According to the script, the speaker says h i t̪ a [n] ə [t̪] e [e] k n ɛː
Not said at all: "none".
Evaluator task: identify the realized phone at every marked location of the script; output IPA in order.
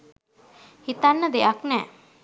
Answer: nː, d̪, a

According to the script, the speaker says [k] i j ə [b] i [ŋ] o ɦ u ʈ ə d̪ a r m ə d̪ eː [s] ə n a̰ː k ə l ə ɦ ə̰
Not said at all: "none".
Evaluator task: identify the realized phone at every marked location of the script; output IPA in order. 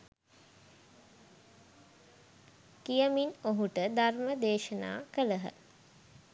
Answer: k, m, n, ʃ

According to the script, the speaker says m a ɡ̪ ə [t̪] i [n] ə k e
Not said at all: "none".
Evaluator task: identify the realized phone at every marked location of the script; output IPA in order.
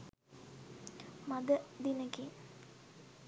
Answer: d̪, n

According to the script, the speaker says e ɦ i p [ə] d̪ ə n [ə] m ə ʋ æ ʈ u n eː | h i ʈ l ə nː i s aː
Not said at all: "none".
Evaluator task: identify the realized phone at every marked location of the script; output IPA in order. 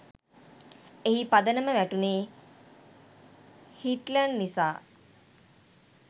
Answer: a, ə

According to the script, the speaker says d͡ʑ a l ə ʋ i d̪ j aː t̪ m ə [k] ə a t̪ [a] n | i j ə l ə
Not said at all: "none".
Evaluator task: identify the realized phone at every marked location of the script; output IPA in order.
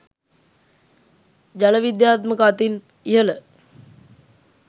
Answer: k, i

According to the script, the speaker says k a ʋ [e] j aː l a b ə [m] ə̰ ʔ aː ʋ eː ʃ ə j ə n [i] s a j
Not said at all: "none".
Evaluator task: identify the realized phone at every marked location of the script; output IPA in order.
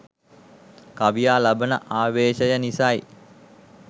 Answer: i, n, i

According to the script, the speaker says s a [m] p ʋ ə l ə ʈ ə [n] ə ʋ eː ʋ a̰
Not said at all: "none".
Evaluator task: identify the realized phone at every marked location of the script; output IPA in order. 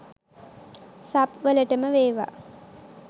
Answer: none, m

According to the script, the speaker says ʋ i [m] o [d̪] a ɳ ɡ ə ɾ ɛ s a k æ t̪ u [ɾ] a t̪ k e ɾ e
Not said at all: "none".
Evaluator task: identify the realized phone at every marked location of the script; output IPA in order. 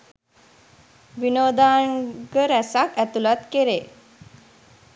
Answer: n, d̪, l

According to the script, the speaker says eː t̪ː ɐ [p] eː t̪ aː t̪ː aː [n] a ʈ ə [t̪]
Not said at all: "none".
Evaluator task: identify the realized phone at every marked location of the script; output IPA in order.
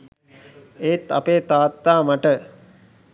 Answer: p, m, none

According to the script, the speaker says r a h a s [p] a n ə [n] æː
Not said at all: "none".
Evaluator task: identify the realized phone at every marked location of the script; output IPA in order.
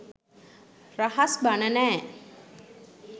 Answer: b, n

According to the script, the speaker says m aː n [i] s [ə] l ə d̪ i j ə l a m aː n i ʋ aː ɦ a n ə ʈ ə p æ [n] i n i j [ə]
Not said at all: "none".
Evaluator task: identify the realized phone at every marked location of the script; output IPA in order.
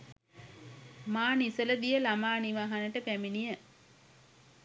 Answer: i, ə, m, ə

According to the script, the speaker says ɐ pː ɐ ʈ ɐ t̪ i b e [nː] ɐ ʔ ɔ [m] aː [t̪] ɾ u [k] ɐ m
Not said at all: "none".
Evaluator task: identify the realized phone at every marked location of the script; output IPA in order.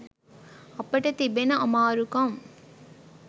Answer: n, m, none, k

